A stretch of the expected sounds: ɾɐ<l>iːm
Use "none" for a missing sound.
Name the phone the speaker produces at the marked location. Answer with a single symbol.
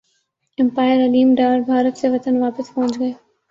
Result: l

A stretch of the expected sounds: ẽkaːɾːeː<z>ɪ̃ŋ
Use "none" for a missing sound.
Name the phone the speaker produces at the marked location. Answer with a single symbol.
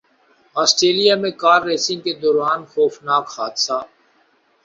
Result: s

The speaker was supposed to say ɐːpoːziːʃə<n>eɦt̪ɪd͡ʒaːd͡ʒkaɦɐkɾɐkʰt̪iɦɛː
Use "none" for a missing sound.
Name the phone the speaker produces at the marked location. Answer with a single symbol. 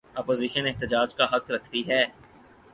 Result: n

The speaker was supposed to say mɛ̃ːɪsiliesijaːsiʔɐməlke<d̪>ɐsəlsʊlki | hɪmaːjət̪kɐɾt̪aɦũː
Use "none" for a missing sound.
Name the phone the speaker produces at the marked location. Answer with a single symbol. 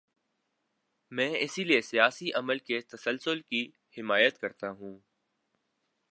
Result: t̪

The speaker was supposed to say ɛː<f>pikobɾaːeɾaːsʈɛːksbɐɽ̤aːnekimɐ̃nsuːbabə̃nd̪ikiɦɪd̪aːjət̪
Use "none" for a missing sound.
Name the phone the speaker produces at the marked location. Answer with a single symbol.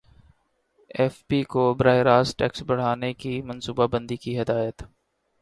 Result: f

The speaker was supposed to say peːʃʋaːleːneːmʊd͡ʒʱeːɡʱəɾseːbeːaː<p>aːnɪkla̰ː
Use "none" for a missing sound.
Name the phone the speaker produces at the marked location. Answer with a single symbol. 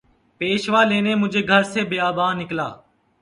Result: b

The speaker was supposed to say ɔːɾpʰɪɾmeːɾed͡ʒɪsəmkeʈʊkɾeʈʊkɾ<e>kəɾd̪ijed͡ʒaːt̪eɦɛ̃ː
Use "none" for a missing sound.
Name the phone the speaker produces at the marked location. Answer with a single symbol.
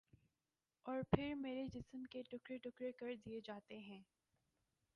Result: e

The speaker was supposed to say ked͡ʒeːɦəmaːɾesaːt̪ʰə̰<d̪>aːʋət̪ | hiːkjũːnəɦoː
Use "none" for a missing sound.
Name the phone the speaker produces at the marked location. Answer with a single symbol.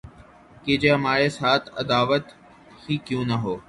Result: d̪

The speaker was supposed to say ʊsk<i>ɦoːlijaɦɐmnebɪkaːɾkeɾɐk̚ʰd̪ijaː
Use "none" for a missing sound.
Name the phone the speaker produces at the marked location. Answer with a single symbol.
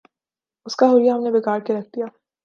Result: a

